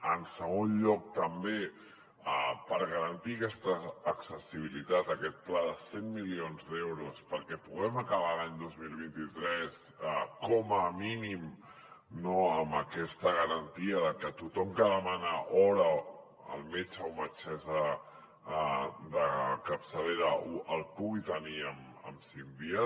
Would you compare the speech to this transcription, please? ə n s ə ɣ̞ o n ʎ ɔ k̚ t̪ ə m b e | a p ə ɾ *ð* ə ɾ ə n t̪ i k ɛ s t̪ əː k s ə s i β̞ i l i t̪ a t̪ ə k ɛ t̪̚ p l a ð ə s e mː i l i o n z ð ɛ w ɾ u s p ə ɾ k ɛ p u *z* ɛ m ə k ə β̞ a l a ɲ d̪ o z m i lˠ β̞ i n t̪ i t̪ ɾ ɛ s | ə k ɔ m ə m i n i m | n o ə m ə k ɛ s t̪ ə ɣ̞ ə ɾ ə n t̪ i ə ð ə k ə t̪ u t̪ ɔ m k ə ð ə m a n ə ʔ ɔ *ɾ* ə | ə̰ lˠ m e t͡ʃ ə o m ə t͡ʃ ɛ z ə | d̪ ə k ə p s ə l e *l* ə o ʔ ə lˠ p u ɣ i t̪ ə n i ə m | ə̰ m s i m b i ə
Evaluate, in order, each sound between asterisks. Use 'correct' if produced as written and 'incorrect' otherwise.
incorrect: ɣ, incorrect: ɣ, correct, incorrect: ɾ

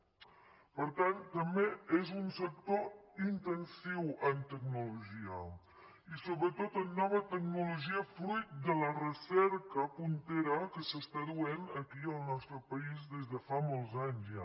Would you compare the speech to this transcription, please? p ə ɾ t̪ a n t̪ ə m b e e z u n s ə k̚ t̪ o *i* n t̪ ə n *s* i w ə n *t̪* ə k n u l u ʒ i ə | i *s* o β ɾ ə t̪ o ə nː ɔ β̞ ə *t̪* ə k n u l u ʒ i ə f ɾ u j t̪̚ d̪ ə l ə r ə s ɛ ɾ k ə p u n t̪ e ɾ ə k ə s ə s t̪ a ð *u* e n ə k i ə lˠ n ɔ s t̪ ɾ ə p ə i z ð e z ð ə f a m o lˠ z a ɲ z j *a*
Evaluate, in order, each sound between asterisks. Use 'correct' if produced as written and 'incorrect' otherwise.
correct, correct, correct, correct, correct, correct, correct

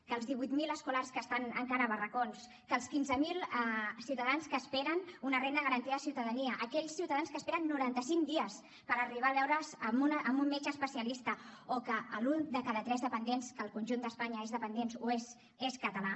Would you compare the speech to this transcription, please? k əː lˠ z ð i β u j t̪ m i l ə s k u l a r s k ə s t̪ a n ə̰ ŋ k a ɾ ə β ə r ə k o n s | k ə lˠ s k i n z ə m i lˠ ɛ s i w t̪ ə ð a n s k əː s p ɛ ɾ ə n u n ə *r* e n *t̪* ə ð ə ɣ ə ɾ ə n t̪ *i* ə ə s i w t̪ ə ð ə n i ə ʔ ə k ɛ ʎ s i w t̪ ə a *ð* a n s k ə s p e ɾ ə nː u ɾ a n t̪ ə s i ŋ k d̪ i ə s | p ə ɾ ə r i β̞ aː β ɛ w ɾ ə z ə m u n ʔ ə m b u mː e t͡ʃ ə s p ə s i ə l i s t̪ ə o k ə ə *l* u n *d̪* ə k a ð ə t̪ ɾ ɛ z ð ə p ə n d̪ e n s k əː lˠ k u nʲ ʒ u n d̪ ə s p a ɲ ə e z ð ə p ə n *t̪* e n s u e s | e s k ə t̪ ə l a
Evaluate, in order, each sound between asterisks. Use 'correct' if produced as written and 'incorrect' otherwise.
correct, incorrect: d̪, correct, correct, correct, correct, incorrect: d̪

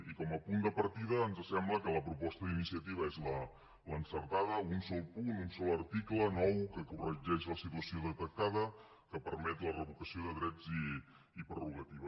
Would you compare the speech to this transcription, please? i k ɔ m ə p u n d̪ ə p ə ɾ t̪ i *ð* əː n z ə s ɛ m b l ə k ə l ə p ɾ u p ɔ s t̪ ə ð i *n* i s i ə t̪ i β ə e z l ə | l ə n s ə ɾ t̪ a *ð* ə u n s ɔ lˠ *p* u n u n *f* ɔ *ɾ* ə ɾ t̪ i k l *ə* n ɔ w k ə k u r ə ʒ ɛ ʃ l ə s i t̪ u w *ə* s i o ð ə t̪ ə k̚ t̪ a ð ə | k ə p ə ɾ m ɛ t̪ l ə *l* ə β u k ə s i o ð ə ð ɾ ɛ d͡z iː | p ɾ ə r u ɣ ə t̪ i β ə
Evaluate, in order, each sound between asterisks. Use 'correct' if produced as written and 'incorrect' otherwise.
correct, correct, correct, correct, incorrect: s, incorrect: l, correct, correct, incorrect: r

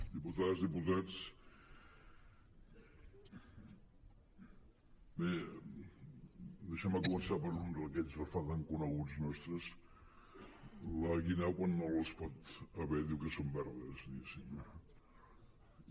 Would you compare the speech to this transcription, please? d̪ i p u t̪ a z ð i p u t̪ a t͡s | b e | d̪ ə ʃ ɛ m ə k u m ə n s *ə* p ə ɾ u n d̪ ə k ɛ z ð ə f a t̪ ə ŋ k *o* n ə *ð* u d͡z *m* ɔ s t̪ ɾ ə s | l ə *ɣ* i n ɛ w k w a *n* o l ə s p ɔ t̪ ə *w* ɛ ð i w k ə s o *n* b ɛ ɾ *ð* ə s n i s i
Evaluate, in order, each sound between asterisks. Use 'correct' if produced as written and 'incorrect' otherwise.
incorrect: a, incorrect: u, incorrect: ɣ, incorrect: n, correct, incorrect: nː, incorrect: β, incorrect: m, correct

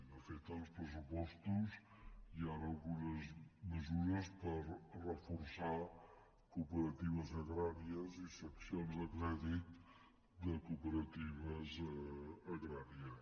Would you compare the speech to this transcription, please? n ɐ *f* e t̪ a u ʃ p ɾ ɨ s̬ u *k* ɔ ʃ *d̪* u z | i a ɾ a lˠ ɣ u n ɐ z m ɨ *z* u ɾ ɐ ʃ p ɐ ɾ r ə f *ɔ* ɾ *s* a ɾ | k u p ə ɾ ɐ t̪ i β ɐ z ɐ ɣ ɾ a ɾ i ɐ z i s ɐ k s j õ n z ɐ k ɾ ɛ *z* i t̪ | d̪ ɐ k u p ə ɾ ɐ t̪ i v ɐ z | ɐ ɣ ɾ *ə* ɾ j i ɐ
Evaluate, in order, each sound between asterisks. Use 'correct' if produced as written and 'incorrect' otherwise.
correct, incorrect: p, incorrect: t̪, correct, incorrect: u, correct, incorrect: ð, incorrect: a

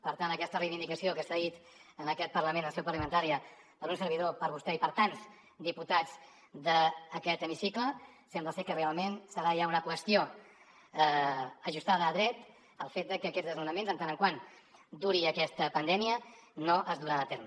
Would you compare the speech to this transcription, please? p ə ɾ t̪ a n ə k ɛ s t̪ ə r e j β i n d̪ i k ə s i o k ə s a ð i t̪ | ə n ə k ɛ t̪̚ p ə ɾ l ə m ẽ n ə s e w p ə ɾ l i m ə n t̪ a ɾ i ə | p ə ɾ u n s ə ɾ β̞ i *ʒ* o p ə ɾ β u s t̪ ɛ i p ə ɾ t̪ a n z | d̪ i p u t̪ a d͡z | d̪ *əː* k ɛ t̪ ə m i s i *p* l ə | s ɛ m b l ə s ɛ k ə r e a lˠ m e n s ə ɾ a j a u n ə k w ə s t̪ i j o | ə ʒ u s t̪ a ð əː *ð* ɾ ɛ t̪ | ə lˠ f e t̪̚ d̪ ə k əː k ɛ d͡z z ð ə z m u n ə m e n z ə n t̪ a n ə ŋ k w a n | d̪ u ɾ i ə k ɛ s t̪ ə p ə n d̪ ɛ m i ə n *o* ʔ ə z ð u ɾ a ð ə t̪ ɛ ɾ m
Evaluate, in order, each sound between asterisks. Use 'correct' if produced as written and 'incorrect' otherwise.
incorrect: ð, correct, incorrect: k, correct, correct

